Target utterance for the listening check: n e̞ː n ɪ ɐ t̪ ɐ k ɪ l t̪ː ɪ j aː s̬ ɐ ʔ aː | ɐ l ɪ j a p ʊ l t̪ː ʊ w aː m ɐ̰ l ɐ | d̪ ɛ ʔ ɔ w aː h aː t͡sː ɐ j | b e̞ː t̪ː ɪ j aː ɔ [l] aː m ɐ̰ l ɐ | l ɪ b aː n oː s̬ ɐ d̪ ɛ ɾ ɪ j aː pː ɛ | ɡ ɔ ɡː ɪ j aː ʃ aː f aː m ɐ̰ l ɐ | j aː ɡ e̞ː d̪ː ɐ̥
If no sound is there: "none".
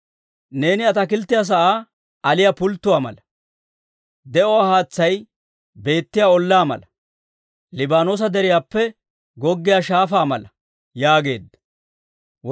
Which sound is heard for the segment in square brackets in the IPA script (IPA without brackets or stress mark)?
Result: lː